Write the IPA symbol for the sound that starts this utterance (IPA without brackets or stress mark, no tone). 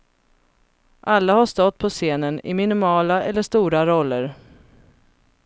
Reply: ʔ